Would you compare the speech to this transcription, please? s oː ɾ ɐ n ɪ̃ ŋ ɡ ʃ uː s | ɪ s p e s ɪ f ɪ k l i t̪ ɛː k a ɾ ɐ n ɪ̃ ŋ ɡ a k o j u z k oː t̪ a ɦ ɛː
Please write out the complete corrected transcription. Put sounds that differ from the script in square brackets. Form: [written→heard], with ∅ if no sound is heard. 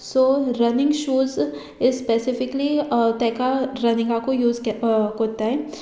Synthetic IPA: s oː ɾ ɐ n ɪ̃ ŋ ɡ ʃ uː [s→z] | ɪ s p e s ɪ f ɪ k l i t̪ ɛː k a ɾ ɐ n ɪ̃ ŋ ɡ a k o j [u→uː] z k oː t̪ a ɦ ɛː